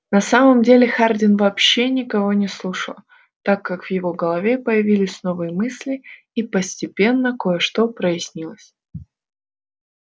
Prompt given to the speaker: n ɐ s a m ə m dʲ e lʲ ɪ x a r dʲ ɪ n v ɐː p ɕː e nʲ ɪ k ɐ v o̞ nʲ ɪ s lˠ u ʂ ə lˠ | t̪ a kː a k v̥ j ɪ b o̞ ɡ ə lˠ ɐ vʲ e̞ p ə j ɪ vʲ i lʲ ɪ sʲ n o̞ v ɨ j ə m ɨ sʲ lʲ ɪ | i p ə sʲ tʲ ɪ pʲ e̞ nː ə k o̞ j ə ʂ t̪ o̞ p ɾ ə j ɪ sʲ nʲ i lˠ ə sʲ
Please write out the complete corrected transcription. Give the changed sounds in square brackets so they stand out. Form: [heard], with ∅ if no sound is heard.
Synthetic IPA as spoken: n ɐ s a m ə m dʲ e lʲ ɪ x a r dʲ ɪ n v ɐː p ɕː e nʲ ɪ k ɐ v o̞ nʲ ɪ s lˠ u ʂ ə lˠ | t̪ a kː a k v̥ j ɪ [v] o̞ ɡ ə lˠ ɐ vʲ e̞ p ə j ɪ vʲ i lʲ ɪ sʲ n o̞ v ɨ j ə m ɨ sʲ lʲ ɪ | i p ə sʲ tʲ ɪ pʲ e̞ nː ə k o̞ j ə ʂ t̪ o̞ p ɾ ə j ɪ sʲ nʲ i lˠ ə sʲ

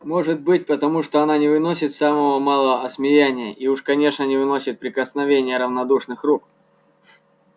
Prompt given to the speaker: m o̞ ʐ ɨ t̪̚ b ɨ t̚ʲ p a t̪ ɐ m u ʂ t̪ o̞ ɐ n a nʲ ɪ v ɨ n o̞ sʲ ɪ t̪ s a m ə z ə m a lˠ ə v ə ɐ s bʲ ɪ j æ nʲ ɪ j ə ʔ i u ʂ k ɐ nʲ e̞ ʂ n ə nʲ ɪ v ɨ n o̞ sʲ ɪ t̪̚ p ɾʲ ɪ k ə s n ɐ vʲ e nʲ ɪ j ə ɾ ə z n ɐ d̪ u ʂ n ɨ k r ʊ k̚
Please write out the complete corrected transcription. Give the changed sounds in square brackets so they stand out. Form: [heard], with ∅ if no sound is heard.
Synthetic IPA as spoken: m o̞ ʐ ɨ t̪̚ b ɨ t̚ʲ p [ə] t̪ ɐ m u ʂ t̪ o̞ ɐ n a nʲ ɪ v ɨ n o̞ sʲ ɪ t̪ s a m ə [v] ə m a lˠ ə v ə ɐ s [mʲ] ɪ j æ nʲ ɪ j ə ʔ i u ʂ k ɐ nʲ e̞ ʂ n ə nʲ ɪ v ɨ n o̞ sʲ ɪ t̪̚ p ɾʲ ɪ k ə s n ɐ vʲ e nʲ ɪ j ə ɾ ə [v] n ɐ d̪ u ʂ n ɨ [x] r [u] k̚

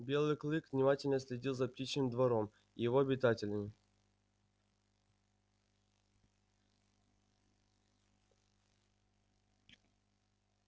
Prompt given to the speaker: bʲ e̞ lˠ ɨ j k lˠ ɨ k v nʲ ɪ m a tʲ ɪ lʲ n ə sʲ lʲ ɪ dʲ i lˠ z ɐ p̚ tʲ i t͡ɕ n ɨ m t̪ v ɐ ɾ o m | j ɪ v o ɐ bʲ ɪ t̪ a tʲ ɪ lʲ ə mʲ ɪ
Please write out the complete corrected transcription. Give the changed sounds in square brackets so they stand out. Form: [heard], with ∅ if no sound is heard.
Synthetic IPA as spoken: bʲ e̞ lˠ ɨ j k lˠ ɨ k v nʲ ɪ m a tʲ ɪ lʲ n ə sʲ lʲ ɪ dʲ i lˠ z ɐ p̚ tʲ i t͡ɕ n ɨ m [d̪] v ɐ ɾ o m | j ɪ v o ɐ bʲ ɪ t̪ a tʲ ɪ lʲ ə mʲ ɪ

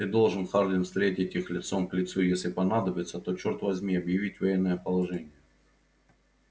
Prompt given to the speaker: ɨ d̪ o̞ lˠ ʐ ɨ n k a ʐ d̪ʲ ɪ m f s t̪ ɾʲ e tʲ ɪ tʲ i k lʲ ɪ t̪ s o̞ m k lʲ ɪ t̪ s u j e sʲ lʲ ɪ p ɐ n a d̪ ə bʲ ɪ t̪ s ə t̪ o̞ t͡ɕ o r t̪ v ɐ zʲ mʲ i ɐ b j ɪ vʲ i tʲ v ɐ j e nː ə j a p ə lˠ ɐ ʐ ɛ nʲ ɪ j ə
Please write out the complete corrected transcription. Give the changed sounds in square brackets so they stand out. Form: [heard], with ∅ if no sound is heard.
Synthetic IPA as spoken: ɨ d̪ o̞ lˠ ʐ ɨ n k a ʐ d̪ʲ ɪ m f s t̪ ɾʲ e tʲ ɪ tʲ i [x] lʲ ɪ t̪ s o̞ m k lʲ ɪ t̪ s u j e sʲ lʲ ɪ p ɐ n a d̪ ə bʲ ɪ t̪ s ə t̪ o̞ t͡ɕ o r t̪ v ɐ zʲ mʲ i ɐ b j ɪ vʲ i tʲ v ɐ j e nː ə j [ə] p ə lˠ ɐ ʐ ɛ nʲ ɪ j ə

